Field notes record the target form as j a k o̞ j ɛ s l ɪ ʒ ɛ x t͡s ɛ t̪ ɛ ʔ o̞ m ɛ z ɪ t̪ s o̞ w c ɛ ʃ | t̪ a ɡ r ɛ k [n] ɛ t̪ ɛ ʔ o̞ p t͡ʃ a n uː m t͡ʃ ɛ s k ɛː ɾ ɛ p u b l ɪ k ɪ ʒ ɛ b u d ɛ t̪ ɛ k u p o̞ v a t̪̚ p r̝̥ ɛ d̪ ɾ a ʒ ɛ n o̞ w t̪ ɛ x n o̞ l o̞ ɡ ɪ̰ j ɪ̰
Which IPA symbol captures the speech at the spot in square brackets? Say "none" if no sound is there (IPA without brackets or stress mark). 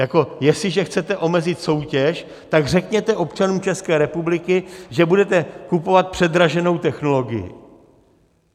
ɲ